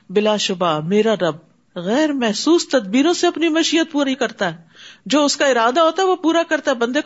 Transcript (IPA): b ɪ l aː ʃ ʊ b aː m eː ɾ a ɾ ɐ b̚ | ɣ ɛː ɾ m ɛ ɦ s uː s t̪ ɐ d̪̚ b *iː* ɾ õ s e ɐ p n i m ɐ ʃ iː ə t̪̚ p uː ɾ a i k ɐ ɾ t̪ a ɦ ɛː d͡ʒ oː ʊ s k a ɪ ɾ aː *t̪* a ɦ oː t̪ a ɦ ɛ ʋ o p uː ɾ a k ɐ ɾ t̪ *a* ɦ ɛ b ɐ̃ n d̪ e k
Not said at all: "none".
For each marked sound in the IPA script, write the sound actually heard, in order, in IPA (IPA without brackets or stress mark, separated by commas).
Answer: iː, d̪, a